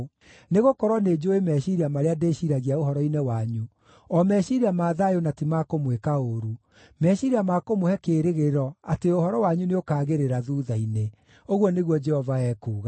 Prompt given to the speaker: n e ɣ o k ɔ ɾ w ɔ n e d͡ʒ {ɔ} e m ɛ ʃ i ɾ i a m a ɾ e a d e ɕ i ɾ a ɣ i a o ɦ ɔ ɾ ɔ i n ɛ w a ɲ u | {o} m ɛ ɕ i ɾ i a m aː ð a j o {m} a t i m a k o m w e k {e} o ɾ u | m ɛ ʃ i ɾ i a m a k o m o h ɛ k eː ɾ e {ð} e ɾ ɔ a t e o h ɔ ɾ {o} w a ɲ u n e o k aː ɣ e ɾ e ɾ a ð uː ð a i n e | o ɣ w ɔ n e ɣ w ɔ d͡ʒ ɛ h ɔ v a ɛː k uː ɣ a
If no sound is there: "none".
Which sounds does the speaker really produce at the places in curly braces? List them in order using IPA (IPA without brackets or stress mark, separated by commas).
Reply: o, ɔ, n, a, ɣ, ɔ